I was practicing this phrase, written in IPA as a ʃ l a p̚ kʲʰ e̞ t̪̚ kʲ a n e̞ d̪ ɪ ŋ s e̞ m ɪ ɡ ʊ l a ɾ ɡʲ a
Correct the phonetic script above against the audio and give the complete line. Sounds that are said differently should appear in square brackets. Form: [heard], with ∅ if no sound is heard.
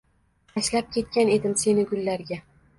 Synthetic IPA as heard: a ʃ l a p̚ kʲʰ e̞ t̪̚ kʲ a n e̞ d̪ ɪ [m] s e̞ [n] ɪ ɡ ʊ [lː] a ɾ ɡʲ a